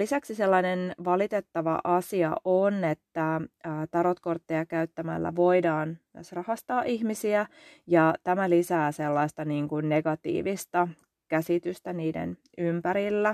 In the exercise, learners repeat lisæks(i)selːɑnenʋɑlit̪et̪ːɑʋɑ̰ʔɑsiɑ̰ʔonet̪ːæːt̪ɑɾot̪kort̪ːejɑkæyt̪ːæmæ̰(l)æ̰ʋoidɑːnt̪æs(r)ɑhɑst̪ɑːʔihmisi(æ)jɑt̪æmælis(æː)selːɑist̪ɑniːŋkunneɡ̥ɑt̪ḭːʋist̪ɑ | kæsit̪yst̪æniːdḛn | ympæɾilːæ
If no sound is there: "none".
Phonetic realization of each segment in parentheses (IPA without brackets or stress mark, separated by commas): i, lː, r, æ, æː